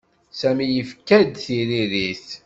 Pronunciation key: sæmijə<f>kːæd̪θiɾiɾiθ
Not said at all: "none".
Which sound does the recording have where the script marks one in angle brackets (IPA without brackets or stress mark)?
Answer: f